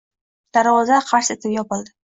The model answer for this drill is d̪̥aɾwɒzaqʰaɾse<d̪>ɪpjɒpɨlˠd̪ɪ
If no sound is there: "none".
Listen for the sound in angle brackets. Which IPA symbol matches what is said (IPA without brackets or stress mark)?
t̪